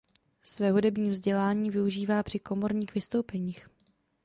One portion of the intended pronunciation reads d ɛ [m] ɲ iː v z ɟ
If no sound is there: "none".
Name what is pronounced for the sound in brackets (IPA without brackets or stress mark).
b